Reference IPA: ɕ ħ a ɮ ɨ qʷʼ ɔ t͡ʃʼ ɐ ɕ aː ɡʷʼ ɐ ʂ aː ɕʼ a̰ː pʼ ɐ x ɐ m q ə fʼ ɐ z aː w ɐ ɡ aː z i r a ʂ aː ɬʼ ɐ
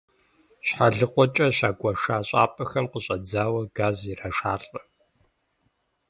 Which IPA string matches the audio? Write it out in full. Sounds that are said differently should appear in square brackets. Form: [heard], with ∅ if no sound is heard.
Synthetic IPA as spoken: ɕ ħ a ɮ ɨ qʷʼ ɔ t͡ʃʼ ɐ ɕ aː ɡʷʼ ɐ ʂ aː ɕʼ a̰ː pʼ ɐ x ɐ m q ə [ɕʼ] ɐ [d͡z] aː w ɐ ɡ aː z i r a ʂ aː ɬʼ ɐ